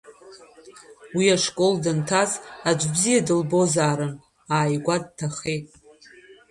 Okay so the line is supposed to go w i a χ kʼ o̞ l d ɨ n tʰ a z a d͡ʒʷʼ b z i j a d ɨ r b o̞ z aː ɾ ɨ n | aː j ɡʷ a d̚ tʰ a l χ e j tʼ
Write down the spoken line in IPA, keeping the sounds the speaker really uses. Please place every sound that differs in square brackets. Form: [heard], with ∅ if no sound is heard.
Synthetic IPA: w i a [ʂ] kʼ o̞ l d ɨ n tʰ a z a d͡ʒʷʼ b z i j a d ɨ [l] b o̞ z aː ɾ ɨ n | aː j ɡʷ a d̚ tʰ a [∅] χ e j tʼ

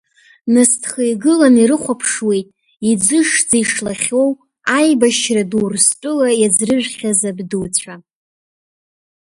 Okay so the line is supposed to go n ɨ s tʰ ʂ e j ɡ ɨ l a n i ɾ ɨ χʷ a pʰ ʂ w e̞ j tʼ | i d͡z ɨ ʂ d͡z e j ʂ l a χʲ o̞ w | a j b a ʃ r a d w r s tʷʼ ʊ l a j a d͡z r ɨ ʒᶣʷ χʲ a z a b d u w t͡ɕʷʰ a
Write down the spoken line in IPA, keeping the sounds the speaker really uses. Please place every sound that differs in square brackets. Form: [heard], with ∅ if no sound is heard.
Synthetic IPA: n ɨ s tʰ [χ] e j ɡ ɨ l a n i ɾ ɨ χʷ a pʰ ʂ w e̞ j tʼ | i d͡z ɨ ʂ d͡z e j ʂ l a χʲ o̞ w | a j b a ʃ r a d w r s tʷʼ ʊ l a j a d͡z r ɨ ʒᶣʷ χʲ a z a b d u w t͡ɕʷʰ a

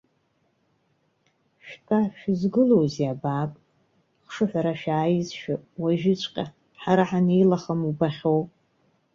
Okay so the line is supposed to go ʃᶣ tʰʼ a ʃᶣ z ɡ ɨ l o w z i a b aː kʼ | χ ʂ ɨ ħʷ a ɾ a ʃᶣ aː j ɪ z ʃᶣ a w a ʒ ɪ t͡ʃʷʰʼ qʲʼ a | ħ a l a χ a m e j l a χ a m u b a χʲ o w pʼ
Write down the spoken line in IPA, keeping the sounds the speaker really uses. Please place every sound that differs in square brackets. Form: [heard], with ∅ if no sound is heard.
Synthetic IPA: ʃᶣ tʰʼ a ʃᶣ z ɡ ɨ l o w z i a b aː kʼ | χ ʂ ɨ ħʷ a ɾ a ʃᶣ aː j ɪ z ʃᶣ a w a ʒ ɪ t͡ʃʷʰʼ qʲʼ a | ħ a [ɾ] a [ħ] a [n] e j l a χ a m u b a χʲ o w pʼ

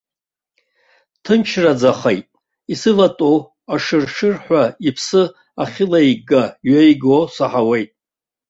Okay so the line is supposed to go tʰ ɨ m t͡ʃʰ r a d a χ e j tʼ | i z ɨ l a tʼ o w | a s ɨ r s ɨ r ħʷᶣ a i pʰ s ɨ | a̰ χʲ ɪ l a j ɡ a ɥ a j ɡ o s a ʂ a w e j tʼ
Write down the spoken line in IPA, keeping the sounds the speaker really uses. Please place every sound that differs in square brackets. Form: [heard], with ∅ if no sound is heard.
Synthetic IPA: tʰ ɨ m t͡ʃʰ r a [d͡z] a χ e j tʼ | i [s] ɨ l a tʼ o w | a [ʂ] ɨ r [ʂ] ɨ r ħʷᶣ a i pʰ s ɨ | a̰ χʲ ɪ l a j ɡ a ɥ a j ɡ o s a [ħ] a w e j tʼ

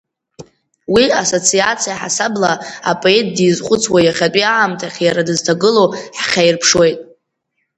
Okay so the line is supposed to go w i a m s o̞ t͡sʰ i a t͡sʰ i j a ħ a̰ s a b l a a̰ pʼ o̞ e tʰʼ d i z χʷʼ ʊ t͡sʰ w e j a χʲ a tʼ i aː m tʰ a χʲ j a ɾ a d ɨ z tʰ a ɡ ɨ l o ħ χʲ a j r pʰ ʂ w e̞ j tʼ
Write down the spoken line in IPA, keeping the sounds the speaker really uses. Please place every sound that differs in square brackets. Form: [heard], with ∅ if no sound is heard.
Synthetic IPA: w i a [∅] s o̞ t͡sʰ i a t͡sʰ i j a ħ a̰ s a b l a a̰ pʼ o̞ e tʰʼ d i z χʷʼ ʊ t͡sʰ w [a] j a χʲ a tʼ i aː m tʰ a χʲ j a ɾ a d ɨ z tʰ a ɡ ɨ l o ħ χʲ a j r pʰ ʂ w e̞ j tʼ

